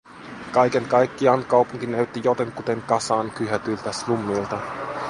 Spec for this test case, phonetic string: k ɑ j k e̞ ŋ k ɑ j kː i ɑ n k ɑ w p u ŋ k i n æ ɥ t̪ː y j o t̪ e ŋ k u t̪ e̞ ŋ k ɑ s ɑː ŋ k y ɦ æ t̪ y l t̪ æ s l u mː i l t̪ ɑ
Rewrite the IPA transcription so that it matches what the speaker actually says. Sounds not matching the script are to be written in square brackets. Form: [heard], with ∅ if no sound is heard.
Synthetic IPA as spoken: k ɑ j k e̞ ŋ k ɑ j kː i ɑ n k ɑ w p u ŋ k i n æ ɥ t̪ː [i] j o t̪ e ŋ k u t̪ e̞ ŋ k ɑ s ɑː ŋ k y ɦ æ t̪ y l t̪ æ s l u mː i l t̪ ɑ

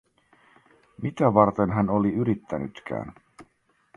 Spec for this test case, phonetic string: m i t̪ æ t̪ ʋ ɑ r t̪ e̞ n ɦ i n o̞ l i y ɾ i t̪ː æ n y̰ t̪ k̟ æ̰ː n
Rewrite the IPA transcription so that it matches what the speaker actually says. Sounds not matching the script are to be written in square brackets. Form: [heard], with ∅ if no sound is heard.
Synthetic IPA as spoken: m i t̪ æ [∅] ʋ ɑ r t̪ e̞ n ɦ [æ] n o̞ l i y ɾ i t̪ː æ n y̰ t̪ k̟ æ̰ː n

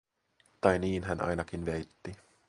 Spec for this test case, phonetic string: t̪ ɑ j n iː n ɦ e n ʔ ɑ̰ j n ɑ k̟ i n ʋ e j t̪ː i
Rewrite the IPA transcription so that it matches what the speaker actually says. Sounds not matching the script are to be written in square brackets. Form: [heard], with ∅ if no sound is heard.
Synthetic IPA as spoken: t̪ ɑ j n iː n ɦ [æ] n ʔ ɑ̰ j n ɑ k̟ i n ʋ e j t̪ː i

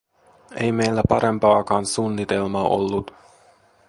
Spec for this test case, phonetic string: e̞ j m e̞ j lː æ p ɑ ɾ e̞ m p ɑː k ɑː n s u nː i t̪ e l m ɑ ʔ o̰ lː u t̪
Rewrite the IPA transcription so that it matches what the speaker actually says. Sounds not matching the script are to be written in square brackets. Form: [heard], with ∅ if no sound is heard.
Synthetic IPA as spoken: e̞ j m e̞ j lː æ p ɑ ɾ e̞ m p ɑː k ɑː n s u nː i t̪ e l m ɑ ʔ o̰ lː u t̪

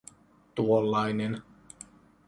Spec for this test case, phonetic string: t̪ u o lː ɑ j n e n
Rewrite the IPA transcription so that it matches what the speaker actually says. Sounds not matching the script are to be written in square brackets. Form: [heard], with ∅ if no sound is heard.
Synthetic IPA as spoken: t̪ u o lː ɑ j n e n

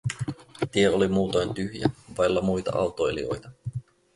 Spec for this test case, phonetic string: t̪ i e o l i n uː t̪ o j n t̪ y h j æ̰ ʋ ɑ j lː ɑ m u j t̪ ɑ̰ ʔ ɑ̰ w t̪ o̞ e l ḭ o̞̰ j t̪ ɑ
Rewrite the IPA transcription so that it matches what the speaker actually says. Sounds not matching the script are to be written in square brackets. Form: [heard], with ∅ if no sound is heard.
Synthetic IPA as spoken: t̪ i e o l i [m] uː t̪ o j n t̪ y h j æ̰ ʋ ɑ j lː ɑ m u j t̪ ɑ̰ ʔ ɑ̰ w t̪ o̞ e l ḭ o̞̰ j t̪ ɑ

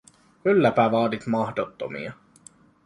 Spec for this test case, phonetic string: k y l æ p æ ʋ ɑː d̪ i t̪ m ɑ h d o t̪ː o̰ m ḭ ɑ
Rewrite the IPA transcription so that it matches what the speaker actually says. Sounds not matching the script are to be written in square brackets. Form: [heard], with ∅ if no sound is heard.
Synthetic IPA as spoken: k y [lː] æ p æ ʋ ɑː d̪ i t̪ m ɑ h d o t̪ː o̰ m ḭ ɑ

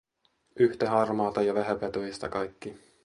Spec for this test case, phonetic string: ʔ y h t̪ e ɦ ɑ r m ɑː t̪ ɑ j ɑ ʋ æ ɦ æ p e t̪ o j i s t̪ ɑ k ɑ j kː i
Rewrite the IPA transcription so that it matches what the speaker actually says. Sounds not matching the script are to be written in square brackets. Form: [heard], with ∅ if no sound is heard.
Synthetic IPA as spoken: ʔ y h t̪ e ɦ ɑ r m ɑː t̪ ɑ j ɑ ʋ æ ɦ æ p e t̪ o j i s t̪ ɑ k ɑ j kː i

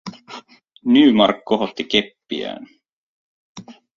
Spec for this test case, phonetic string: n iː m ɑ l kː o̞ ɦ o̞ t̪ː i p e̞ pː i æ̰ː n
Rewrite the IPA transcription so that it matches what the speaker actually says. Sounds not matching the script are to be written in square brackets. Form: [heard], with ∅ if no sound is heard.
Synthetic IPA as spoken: n [yː] m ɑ [r] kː o̞ ɦ o̞ t̪ː i [k] e̞ pː i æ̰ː n

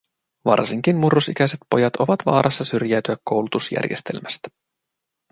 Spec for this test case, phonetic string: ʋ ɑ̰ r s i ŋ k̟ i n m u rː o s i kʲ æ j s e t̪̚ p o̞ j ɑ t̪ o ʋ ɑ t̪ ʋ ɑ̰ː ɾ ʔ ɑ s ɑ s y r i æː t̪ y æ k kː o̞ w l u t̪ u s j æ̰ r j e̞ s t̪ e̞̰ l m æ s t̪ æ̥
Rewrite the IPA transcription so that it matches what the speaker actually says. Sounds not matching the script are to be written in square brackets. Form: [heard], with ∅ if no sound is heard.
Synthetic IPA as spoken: ʋ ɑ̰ r s i ŋ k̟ i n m u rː o s i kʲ æ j s e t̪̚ p o̞ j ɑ t̪ o ʋ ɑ t̪ ʋ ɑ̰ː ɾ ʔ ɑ [sː] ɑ s y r [j] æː t̪ y æ k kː o̞ w l u t̪ u s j æ̰ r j e̞ s t̪ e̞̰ l m æ s t̪ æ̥

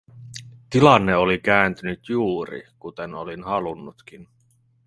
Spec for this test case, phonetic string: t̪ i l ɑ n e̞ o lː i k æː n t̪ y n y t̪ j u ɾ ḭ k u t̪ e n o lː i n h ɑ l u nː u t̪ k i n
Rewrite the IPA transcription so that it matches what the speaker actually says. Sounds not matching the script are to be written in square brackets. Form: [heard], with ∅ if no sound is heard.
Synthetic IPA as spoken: t̪ i l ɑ [nː] e̞ o [l] i k æː n t̪ y n y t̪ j [uː] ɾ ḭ k u t̪ e n o [l] i n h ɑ l u nː u t̪ k i n

